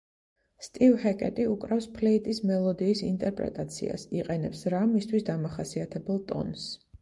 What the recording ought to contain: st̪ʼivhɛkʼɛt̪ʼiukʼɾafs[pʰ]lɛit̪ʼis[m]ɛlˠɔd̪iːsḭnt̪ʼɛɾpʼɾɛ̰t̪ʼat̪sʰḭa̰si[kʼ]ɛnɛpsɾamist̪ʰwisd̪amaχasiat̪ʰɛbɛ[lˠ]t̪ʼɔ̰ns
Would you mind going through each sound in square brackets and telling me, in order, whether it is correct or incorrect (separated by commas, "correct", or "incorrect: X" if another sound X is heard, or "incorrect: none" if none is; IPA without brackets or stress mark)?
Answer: correct, correct, incorrect: qʼ, correct